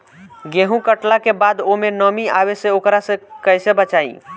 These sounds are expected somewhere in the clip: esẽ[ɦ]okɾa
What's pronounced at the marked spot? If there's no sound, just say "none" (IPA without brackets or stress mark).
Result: none